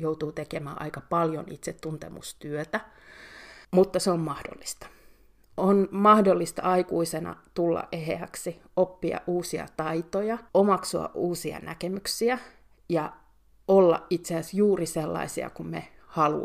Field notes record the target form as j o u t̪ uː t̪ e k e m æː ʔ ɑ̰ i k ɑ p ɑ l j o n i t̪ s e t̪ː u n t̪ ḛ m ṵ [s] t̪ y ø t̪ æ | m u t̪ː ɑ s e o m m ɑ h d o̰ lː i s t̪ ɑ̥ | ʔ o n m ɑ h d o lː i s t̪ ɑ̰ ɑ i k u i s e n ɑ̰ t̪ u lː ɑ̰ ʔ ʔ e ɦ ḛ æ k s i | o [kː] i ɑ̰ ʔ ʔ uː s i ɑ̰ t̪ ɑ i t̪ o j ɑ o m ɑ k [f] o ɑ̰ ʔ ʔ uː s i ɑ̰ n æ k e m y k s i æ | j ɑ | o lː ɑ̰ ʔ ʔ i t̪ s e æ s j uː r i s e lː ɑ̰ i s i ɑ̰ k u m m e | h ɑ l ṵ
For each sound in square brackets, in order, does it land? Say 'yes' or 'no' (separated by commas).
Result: yes, no, no